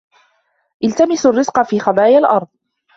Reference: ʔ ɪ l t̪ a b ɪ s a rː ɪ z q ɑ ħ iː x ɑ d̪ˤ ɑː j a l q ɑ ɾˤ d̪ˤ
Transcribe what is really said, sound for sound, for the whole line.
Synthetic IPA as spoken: ʔ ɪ l t̪ a m ɪ s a rː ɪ z q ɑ f iː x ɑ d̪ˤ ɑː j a l ʔ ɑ ɾˤ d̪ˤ